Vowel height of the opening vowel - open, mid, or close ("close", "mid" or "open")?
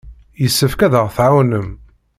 mid